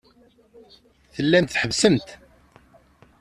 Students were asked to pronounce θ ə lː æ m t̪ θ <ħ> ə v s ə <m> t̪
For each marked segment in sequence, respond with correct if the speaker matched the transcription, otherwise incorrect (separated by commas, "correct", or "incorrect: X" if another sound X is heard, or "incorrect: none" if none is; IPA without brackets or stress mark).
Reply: correct, correct